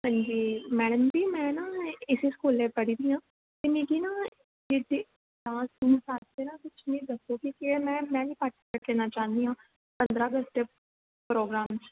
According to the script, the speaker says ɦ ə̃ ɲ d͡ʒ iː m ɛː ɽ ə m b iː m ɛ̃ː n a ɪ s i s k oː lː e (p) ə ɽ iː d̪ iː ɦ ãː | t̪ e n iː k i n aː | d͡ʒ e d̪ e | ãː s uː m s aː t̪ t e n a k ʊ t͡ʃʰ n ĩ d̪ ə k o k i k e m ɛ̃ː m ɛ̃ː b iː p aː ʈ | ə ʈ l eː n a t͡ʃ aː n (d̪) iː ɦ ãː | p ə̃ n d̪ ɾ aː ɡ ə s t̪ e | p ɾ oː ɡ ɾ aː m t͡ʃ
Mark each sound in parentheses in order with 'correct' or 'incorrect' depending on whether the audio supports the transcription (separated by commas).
correct, correct